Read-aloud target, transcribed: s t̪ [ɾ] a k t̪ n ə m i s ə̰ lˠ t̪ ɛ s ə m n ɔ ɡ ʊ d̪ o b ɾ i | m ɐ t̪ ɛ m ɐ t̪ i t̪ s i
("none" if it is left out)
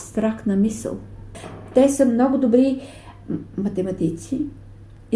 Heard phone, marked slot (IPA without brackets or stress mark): ɾ